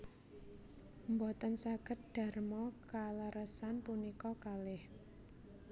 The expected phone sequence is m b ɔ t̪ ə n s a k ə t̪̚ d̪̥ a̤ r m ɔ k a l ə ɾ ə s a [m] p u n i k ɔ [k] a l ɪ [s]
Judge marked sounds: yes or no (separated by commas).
no, yes, no